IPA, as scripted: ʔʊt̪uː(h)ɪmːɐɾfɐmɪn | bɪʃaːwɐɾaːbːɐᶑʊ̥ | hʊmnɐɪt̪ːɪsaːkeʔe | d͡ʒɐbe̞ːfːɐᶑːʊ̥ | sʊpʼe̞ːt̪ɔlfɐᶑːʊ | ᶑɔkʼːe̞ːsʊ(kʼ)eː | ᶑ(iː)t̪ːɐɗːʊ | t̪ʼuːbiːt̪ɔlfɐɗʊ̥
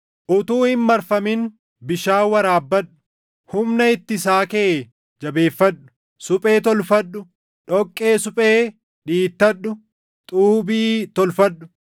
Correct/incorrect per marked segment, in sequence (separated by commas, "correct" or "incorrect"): correct, incorrect, correct